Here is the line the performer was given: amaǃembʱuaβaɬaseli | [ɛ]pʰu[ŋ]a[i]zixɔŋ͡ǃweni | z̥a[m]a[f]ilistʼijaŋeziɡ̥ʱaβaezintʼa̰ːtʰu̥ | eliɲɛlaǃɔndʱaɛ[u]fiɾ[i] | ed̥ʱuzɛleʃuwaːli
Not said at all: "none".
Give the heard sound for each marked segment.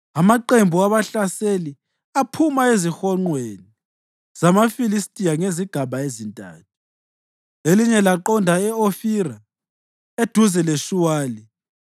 a, m, e, m, f, o, a

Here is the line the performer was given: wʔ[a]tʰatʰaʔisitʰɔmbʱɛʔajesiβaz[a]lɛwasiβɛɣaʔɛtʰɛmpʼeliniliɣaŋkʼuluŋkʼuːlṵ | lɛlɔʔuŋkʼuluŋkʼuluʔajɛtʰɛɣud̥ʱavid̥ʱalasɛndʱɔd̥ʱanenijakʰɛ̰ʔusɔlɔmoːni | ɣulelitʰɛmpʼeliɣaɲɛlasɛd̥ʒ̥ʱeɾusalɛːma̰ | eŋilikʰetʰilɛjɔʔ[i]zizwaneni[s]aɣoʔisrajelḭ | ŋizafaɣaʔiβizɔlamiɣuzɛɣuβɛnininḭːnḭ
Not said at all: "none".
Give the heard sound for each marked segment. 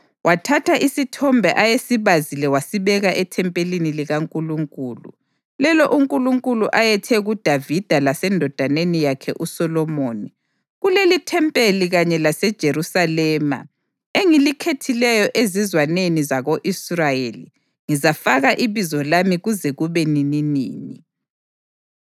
a, i, e, z

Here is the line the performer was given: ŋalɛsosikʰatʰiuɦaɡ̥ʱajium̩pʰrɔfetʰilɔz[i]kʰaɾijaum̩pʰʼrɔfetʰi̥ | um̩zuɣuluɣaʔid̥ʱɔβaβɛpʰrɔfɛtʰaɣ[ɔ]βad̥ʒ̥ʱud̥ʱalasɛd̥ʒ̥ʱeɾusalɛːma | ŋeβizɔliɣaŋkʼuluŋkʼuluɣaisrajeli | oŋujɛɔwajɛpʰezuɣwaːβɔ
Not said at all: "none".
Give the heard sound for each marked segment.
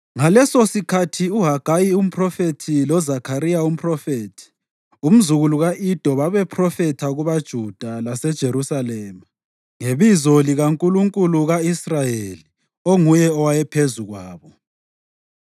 a, u

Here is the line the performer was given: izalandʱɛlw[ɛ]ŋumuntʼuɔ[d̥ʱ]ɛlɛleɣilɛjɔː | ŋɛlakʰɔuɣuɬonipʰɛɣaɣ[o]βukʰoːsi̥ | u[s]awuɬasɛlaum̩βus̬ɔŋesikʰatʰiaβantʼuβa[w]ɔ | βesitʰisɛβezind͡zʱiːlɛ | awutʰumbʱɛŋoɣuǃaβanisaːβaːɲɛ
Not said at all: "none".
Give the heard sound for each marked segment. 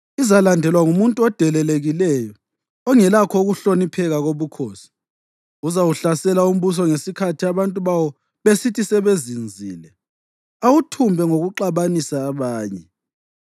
a, d̥ʱ, o, z, w

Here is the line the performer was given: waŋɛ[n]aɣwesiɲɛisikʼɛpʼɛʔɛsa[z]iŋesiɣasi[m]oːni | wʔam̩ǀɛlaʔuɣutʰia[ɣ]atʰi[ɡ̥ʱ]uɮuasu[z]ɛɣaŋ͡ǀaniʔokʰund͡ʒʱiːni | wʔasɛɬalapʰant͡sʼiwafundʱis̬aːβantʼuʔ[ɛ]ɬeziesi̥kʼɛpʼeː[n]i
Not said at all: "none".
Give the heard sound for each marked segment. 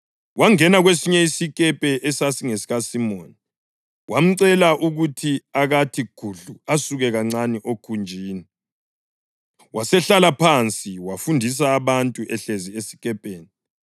n, s, m, ɣ, ɡ̥ʱ, ɣ, ɛ, n

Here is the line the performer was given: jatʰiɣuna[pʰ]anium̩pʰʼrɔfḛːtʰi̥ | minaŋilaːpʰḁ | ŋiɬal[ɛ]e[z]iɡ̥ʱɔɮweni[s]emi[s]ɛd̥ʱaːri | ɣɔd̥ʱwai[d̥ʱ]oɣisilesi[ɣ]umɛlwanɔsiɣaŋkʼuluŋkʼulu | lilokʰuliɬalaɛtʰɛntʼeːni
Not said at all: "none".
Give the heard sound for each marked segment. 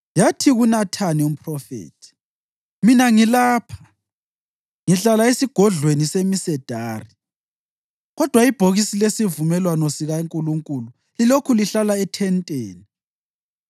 tʰ, a, s, s, s, b̥ʱ, v

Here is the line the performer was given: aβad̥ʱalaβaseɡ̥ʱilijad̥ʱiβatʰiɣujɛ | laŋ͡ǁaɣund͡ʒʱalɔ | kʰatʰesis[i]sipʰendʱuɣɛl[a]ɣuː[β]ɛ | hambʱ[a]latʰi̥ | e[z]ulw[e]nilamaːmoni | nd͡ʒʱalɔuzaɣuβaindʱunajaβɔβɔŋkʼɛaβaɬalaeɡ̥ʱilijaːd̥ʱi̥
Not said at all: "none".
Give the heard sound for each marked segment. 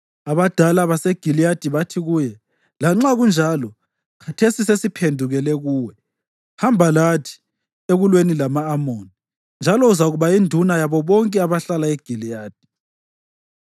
e, ɛ, w, a, ɣ, e

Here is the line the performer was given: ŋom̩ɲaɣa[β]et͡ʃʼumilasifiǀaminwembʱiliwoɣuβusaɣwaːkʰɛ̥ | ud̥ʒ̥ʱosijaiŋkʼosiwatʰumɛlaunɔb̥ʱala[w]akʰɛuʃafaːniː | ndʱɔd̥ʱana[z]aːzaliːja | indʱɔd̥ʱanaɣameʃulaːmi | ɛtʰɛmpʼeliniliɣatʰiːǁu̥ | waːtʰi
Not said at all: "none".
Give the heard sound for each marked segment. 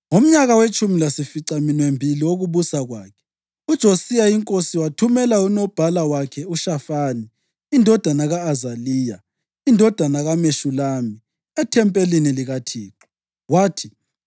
w, w, ɣ

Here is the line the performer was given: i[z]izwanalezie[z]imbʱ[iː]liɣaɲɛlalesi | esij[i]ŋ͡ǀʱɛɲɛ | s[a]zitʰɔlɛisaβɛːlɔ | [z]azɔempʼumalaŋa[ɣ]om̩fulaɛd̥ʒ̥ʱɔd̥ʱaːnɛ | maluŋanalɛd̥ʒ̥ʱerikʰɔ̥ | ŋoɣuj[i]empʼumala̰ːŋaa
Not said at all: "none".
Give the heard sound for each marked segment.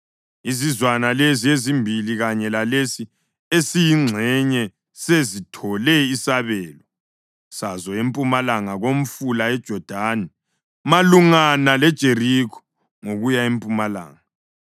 z, z, i, i, e, s, ɣ, a

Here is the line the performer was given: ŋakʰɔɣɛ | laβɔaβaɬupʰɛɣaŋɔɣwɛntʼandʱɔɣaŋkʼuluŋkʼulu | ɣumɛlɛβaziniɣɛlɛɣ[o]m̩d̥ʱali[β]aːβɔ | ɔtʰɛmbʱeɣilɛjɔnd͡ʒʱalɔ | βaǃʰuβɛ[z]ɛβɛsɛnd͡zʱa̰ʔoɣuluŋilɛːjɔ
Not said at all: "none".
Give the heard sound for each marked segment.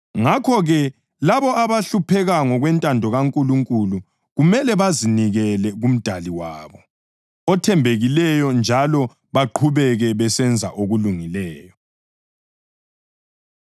u, w, ɣ

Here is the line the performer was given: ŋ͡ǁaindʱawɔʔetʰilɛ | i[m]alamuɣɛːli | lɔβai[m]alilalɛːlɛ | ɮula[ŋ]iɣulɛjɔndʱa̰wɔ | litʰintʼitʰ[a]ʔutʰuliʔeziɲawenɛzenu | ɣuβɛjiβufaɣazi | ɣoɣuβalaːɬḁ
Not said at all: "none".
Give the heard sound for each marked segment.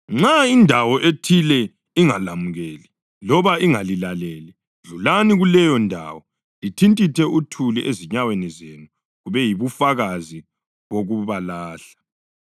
ŋ, ŋ, n, ɛ

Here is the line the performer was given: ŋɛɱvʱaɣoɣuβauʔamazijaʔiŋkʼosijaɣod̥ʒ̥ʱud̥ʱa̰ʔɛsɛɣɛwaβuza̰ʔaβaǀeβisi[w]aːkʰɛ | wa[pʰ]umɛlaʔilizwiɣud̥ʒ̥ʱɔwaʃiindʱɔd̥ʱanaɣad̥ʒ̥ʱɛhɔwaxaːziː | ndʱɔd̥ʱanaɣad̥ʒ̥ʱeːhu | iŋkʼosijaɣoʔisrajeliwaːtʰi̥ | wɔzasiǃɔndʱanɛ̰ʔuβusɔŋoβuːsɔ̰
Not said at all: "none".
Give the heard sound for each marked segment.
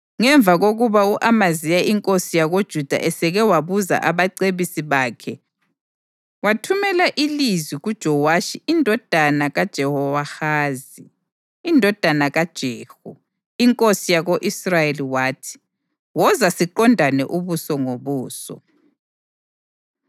β, tʰ

